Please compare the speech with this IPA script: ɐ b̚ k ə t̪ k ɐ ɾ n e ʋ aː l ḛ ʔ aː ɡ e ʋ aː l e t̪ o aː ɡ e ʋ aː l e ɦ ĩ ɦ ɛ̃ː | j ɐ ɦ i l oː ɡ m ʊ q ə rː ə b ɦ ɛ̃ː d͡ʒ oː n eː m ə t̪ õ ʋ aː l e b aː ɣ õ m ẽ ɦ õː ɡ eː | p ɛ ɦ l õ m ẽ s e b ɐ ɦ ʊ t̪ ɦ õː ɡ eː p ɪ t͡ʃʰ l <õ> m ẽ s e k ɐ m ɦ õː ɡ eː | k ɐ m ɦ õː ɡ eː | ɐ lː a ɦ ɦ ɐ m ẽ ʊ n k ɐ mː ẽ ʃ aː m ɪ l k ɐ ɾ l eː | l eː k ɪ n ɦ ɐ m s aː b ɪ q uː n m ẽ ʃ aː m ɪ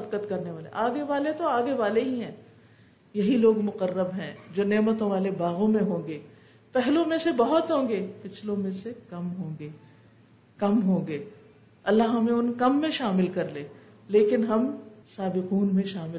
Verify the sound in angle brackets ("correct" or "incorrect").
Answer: correct